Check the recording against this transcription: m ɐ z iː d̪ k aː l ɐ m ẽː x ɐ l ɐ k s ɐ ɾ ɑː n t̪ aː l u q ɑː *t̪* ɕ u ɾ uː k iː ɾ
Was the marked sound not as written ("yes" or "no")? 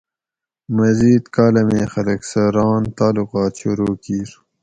no